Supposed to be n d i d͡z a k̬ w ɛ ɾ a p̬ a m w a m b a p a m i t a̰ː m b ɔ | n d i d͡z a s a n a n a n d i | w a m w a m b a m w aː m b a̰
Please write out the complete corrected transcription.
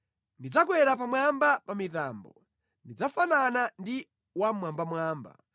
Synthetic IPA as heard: n d i d͡z a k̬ w ɛ ɾ a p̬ a m w a m b a p a m i t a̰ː m b ɔ | n d i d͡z a f a n a n a n d i | w a m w a m b a m w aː m b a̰